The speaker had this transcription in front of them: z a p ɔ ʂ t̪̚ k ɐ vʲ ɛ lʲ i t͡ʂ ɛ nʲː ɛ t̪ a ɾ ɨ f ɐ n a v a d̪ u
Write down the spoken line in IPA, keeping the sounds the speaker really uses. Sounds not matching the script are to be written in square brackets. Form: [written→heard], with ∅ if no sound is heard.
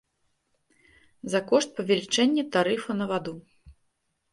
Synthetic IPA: z a [p→k] ɔ ʂ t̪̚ [k→p] ɐ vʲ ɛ lʲ i t͡ʂ ɛ nʲː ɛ t̪ a ɾ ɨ f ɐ n [a→ɐ] v a d̪ u